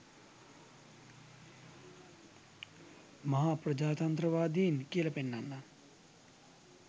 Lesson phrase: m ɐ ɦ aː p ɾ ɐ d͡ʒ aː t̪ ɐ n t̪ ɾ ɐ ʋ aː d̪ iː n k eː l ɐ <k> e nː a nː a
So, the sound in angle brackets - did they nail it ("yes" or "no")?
no